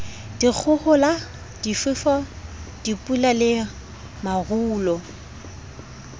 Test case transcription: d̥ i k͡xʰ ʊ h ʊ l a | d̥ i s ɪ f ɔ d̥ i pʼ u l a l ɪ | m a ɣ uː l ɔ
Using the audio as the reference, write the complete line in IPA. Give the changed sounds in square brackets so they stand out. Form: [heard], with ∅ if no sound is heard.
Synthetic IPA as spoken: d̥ i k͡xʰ ʊ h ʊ l a | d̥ i [f] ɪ f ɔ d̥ i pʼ u l a l ɪ | m a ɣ uː l ɔ